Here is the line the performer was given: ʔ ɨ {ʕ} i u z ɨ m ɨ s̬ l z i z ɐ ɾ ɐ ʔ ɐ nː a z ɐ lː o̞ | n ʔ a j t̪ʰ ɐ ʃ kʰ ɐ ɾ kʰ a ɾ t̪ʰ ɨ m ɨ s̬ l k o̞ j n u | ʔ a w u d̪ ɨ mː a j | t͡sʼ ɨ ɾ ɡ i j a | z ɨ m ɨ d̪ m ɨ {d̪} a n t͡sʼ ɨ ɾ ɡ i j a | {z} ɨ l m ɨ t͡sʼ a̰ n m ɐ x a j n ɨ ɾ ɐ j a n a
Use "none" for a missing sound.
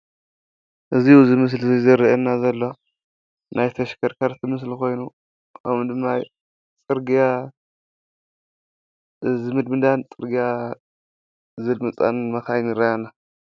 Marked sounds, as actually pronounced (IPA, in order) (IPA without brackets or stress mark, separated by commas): z, d̪, z